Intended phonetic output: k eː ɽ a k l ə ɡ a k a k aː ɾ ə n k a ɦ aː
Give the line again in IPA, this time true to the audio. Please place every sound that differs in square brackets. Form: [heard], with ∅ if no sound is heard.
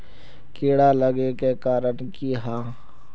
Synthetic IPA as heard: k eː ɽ a [∅] l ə ɡ [e] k [e] k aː ɾ ə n k [i] ɦ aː